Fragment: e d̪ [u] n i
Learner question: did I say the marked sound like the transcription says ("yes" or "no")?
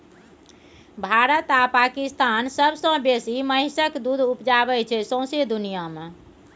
yes